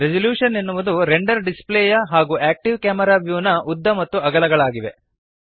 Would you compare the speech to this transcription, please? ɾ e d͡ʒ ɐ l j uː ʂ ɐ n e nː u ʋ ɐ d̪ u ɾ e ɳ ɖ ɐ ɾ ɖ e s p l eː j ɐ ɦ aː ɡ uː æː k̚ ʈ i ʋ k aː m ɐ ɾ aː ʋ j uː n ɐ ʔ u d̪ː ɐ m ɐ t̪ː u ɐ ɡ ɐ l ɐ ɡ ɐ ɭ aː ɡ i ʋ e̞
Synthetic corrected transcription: ɾ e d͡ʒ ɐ l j uː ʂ ɐ n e nː u ʋ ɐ d̪ u ɾ e ɳ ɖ ɐ ɾ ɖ i s p l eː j ɐ ɦ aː ɡ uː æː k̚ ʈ i ʋ k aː m ɐ ɾ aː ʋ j uː n ɐ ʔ u d̪ː ɐ m ɐ t̪ː u ɐ ɡ ɐ l ɐ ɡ ɐ ɭ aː ɡ i ʋ e̞